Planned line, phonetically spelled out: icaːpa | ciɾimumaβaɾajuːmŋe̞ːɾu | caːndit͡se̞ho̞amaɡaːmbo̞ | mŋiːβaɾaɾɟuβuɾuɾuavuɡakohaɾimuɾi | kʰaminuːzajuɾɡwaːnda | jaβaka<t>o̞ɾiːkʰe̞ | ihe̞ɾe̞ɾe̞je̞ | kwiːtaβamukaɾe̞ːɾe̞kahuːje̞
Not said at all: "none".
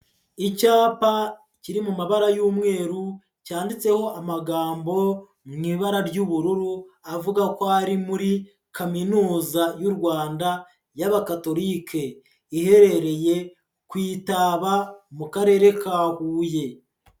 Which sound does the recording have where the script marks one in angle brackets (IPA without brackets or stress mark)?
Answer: t